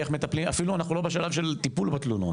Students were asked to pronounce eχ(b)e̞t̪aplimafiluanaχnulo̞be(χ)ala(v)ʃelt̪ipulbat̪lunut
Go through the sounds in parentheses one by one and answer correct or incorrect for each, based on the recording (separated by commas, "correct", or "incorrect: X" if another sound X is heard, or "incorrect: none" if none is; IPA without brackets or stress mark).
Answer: incorrect: m, incorrect: ʃ, correct